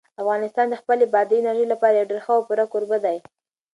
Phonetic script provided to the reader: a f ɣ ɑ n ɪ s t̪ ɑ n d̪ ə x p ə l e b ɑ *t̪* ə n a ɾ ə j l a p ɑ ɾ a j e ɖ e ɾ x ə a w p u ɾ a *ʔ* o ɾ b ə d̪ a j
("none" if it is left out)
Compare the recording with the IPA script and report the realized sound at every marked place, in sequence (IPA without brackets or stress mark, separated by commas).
d̪, k